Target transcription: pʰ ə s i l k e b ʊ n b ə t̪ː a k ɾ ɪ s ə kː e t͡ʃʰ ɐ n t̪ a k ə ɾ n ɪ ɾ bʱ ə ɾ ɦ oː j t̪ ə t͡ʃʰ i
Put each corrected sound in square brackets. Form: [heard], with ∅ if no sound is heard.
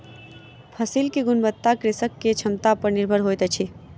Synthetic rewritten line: pʰ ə s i l k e [ɡ] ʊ n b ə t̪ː a k ɾ ɪ s ə kː e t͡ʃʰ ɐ [m] t̪ a [p] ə ɾ n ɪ ɾ bʱ ə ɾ ɦ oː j t̪ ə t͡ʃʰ i